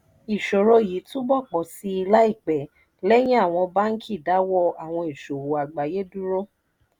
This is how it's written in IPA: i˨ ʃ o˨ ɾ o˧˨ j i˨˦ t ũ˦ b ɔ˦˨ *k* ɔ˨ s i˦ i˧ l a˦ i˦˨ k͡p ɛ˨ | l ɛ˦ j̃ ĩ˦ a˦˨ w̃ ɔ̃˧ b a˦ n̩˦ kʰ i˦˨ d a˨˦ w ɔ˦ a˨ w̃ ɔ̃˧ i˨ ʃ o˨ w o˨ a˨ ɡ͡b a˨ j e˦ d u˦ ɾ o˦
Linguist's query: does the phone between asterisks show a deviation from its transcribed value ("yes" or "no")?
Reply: yes